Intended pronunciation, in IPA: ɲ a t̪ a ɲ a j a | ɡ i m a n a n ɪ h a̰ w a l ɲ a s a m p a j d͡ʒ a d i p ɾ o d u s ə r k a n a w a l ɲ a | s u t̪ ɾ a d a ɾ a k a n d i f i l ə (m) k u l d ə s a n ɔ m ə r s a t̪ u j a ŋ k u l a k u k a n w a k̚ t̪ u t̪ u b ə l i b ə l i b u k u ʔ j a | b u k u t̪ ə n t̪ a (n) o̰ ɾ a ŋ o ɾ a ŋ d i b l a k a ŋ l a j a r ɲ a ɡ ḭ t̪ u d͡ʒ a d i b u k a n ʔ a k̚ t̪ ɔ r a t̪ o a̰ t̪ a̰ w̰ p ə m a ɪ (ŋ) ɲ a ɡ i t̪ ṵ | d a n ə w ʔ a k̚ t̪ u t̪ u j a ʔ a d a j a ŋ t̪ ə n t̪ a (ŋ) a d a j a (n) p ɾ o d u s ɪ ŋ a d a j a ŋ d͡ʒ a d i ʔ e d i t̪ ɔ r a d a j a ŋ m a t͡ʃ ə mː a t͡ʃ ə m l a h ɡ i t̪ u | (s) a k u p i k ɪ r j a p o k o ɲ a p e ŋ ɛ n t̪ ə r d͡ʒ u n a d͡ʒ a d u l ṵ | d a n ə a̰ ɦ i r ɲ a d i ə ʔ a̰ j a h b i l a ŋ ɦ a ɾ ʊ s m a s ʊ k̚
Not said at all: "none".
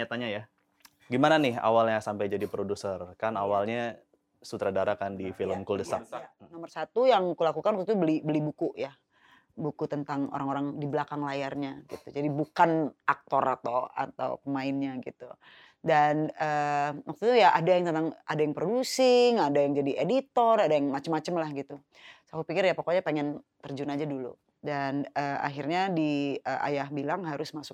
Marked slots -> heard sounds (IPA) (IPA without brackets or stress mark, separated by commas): m, ŋ, n, ŋ, ŋ, s